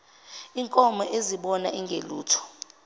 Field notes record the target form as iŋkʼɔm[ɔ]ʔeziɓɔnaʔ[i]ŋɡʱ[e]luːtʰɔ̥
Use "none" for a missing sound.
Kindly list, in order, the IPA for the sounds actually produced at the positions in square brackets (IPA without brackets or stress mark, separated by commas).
ɔ, i, e